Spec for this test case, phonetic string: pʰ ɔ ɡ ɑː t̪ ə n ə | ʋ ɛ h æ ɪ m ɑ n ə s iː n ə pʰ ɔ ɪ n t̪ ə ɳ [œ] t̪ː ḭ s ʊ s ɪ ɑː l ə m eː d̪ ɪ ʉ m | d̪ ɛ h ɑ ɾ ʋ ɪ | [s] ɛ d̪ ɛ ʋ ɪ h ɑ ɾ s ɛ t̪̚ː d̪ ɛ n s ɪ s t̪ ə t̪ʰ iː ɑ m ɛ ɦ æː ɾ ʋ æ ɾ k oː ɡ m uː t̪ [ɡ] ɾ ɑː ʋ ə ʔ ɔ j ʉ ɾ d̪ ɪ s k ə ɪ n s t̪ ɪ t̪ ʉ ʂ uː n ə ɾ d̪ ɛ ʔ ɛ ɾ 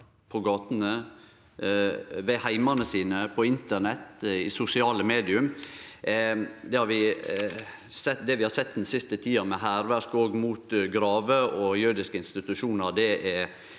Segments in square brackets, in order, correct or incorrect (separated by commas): incorrect, correct, correct